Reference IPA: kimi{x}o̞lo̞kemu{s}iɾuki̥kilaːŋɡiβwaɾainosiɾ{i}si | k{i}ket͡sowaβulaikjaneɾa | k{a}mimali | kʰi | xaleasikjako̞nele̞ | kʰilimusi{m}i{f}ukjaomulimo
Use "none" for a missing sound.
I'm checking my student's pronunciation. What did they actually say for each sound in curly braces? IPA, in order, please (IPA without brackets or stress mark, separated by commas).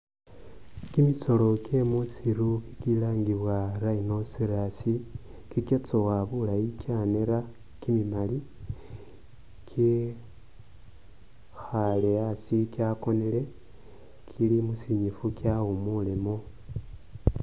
s, s, a, i, i, ɲ, f